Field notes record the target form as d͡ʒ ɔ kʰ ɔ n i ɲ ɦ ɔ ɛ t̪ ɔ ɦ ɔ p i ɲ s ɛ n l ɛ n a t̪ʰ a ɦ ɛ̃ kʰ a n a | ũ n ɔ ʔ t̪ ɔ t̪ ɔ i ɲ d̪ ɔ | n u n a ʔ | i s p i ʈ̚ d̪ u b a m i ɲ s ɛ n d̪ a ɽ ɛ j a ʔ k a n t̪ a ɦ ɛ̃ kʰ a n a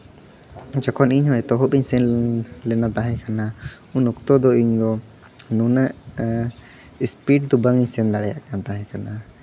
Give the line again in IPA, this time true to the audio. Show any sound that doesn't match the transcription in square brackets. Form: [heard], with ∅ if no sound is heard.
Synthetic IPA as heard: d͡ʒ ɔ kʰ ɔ n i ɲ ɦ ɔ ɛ t̪ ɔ ɦ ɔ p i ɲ s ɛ n l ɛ n a [t̪] a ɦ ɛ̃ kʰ a n a | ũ n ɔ [k] t̪ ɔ [d̪] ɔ i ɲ d̪ ɔ | n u n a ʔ | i s p i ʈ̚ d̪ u b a [ŋ] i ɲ s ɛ n d̪ a ɽ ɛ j a ʔ k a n t̪ a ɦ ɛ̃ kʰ a n a